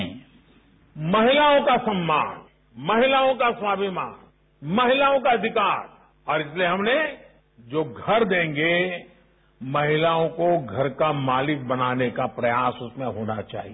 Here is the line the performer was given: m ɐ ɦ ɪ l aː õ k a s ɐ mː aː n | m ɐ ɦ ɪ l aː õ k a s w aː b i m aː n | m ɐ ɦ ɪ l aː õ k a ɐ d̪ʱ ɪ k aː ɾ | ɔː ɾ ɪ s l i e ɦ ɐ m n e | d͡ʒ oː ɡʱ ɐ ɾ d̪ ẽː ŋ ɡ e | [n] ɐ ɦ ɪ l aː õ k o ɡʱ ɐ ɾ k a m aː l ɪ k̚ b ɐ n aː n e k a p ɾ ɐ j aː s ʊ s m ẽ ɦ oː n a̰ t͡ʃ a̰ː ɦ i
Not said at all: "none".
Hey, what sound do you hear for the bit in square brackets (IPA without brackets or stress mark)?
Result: m